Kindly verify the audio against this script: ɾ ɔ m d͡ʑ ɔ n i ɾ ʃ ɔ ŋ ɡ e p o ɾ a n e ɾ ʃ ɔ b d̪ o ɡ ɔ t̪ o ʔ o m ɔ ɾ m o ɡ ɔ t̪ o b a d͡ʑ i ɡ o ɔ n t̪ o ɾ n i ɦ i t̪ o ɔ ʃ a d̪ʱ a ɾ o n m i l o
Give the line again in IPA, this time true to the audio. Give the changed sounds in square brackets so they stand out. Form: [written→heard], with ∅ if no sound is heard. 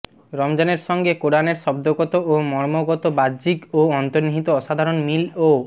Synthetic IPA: ɾ ɔ m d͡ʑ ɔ n [i→e] ɾ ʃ ɔ ŋ ɡ e [p→k] o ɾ a n e ɾ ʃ ɔ b d̪ o ɡ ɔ t̪ o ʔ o m ɔ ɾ m o ɡ ɔ t̪ o b a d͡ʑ i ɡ o ɔ n t̪ o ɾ n i ɦ i t̪ o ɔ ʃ a d̪ʱ a ɾ o n m i l o